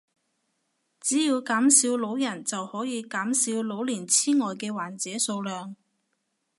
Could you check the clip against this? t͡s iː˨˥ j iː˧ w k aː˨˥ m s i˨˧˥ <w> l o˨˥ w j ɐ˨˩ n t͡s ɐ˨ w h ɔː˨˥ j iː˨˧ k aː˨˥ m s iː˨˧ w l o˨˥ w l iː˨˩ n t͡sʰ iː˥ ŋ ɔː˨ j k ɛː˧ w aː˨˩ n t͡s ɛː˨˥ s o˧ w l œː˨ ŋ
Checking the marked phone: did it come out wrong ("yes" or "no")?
no